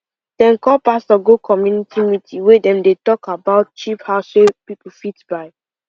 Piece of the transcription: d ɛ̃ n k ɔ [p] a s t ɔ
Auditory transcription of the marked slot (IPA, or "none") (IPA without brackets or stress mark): p